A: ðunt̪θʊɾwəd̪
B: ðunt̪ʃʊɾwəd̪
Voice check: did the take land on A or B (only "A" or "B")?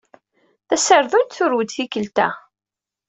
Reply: A